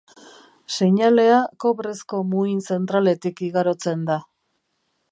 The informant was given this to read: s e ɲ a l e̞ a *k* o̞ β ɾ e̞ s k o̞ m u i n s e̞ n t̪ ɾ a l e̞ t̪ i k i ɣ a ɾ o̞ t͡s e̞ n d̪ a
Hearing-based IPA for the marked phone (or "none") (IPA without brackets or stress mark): k